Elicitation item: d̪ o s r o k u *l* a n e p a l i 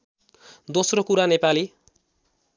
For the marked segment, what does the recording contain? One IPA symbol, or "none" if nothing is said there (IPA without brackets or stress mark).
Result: ɾ